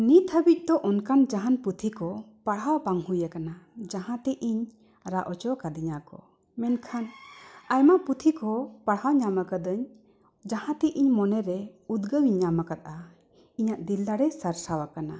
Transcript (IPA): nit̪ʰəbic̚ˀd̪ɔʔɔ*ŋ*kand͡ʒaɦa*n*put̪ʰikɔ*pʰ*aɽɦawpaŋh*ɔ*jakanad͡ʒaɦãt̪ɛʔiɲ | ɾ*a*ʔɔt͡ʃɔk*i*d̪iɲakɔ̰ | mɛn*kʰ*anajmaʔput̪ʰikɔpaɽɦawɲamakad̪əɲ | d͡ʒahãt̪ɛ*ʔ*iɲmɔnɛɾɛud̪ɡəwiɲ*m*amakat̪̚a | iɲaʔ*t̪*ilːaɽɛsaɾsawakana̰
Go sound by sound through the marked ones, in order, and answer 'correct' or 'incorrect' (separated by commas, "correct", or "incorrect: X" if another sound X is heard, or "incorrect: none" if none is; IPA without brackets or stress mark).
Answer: incorrect: n, correct, incorrect: p, incorrect: u, correct, incorrect: a, correct, correct, incorrect: ɲ, incorrect: d̪